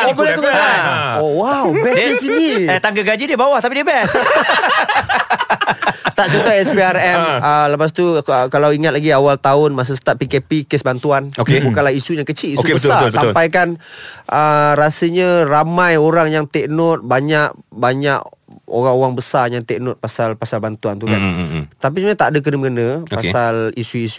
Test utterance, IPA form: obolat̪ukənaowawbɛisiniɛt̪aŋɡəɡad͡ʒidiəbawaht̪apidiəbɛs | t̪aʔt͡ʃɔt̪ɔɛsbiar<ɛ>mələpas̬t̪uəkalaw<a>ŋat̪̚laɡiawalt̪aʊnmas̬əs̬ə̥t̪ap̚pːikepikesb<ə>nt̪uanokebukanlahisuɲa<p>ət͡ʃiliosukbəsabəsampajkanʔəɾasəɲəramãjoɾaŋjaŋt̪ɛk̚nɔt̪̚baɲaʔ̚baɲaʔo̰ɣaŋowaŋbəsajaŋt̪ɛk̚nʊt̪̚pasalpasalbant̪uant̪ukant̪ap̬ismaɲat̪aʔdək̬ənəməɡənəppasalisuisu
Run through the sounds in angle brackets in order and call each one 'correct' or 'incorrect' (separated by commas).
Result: correct, incorrect, incorrect, incorrect